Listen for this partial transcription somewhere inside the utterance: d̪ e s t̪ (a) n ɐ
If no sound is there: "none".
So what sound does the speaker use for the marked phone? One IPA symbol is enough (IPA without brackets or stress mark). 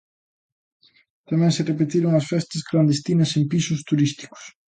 i